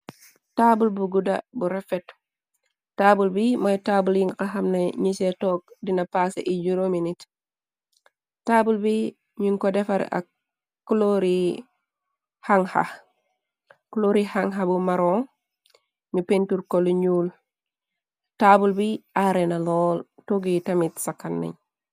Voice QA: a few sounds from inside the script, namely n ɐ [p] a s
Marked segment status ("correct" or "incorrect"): correct